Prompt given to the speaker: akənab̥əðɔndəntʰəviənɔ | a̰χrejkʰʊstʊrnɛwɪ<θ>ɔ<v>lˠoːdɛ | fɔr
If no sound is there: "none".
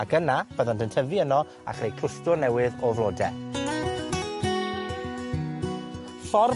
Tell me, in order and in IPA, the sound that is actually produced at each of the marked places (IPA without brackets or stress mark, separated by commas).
ð, v